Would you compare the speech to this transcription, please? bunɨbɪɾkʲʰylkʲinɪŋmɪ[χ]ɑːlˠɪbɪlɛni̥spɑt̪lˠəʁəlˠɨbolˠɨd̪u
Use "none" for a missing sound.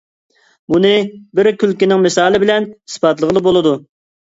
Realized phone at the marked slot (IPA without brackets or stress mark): s